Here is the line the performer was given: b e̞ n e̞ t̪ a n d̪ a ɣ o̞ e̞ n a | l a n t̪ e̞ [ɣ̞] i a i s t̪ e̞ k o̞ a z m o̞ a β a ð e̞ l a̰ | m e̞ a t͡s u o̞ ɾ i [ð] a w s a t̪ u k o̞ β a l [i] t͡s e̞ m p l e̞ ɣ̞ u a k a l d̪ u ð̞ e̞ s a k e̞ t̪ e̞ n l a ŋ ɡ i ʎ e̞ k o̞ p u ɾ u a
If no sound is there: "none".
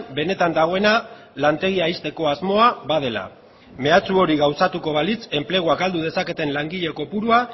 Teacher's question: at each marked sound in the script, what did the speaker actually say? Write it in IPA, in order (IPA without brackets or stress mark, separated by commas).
ɣ̞, ɣ, i